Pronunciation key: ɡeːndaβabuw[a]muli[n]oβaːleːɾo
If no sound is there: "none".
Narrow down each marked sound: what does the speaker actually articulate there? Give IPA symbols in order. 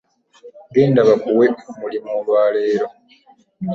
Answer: e, m

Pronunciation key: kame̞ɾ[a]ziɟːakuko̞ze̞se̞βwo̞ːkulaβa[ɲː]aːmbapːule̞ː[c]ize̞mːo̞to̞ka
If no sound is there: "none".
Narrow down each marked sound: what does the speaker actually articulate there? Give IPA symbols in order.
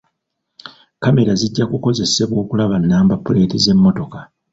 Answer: a, nː, t

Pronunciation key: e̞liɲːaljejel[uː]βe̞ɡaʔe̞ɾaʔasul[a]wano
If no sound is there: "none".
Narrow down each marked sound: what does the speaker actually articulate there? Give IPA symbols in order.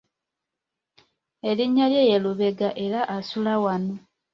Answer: u, a

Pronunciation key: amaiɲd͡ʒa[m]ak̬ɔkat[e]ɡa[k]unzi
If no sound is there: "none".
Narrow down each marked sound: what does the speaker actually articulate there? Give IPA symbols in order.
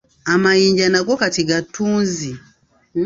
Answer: n, i, t

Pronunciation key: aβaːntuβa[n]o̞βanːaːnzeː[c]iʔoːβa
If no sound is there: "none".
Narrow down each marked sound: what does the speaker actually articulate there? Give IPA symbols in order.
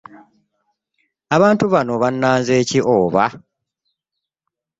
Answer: n, c

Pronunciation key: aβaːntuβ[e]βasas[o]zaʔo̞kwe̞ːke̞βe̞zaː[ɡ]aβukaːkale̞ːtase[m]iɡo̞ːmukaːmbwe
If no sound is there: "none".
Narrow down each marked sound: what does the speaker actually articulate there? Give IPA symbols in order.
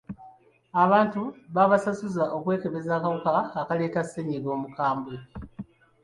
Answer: a, u, k, ɲ

